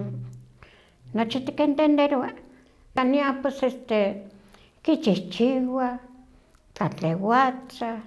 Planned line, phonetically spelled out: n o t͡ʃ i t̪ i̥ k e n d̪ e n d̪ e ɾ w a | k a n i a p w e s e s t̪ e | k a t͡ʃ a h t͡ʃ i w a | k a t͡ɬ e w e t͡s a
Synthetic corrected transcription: n o t͡ʃ i t̪ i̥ k e n t̪ e n d̪ e ɾ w a | k a n i a p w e s e s t̪ e | k i t͡ʃ i h t͡ʃ i w a | k a t͡ɬ e w a t͡s a